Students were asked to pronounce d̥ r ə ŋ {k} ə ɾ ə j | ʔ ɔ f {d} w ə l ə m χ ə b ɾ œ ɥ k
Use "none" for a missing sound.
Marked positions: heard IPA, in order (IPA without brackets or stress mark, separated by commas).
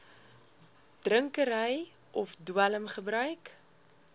k, d